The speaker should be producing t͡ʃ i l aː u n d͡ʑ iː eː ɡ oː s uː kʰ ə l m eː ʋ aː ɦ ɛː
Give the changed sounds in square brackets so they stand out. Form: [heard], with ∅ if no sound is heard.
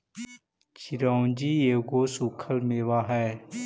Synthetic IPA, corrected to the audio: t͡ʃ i [ɾ] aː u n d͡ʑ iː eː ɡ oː s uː kʰ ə l m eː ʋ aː ɦ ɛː